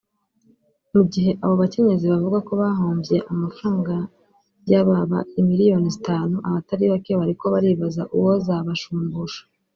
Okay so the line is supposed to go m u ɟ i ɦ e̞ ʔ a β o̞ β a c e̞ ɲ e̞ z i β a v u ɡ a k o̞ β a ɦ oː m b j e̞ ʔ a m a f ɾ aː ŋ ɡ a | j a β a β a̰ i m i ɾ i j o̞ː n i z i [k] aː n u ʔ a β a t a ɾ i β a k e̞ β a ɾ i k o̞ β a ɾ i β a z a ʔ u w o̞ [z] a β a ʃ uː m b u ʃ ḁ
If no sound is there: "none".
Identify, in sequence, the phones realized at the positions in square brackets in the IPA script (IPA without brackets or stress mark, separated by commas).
t, z